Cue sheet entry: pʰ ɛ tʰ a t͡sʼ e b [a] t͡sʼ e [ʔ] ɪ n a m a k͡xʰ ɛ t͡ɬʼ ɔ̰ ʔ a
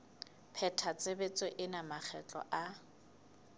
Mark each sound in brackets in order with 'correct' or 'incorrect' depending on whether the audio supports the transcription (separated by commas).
incorrect, correct